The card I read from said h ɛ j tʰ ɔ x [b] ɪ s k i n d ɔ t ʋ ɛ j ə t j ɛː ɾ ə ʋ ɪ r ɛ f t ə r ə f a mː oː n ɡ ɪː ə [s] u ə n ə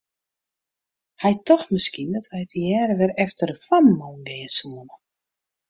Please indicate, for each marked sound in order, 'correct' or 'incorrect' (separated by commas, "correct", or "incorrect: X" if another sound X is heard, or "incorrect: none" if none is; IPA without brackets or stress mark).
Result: incorrect: m, correct